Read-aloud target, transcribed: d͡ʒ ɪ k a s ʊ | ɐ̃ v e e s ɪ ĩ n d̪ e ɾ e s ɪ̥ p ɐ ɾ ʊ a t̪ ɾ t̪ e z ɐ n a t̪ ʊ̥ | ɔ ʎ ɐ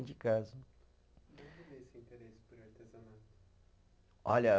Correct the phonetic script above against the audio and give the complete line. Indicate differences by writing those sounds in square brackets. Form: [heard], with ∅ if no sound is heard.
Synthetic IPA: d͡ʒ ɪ k a [z] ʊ | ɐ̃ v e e s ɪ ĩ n [t̪] e ɾ e s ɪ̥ p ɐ ɾ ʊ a [∅] ɾ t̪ e z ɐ n a t̪ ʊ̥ | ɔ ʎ ɐ